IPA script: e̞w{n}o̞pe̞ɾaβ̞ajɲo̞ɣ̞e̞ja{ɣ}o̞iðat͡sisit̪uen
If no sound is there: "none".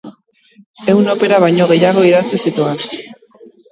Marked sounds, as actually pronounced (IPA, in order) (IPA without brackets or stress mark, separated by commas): n, ɣ